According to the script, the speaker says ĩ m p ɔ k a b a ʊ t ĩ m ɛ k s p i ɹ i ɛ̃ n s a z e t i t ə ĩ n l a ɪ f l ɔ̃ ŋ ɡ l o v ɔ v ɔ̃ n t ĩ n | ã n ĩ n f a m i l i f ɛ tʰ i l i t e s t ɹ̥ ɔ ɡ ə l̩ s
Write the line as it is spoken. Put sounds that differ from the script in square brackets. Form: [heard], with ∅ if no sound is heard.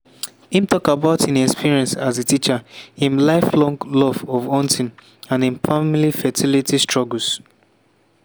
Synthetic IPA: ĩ m [t] ɔ k a b a ʊ t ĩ [n] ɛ k s p i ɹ i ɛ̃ n s a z e t i [t͡ʃ] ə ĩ n l a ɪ f l ɔ̃ ŋ ɡ l [ɔ] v ɔ v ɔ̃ n t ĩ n | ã n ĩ n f a m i l i f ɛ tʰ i l i t [i] s t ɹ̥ ɔ ɡ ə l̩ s